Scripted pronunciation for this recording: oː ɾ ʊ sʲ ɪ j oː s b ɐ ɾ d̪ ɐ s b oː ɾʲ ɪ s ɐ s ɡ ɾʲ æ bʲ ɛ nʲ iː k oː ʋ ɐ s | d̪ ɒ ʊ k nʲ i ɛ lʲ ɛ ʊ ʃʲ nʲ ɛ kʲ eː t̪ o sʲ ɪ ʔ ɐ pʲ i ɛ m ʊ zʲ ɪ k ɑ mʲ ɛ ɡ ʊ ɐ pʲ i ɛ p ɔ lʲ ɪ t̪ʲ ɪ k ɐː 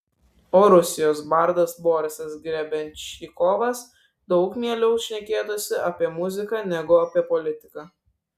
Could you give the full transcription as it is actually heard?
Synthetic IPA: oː ɾ ʊ sʲ ɪ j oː s b ɐ ɾ d̪ ɐ s b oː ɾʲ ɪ s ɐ s ɡ ɾʲ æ bʲ ɛ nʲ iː k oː ʋ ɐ s | d̪ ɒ ʊ k mʲ i ɛ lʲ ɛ ʊ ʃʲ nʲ ɛ kʲ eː t̪ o sʲ ɪ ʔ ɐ pʲ i ɛ m ʊ zʲ ɪ k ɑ nʲ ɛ ɡ ʊ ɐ pʲ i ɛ p ɔ lʲ ɪ t̪ʲ ɪ k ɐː